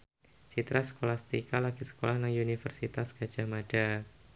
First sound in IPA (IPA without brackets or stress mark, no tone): t͡ʃ